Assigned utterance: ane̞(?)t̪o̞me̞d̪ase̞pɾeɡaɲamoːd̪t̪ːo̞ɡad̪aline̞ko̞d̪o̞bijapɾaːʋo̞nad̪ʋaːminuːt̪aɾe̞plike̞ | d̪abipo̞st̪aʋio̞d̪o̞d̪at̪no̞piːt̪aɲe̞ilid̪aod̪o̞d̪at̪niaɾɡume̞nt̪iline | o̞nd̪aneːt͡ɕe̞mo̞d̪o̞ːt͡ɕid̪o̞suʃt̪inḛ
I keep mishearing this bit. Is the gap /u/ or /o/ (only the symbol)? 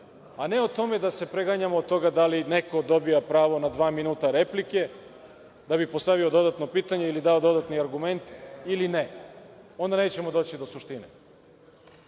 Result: o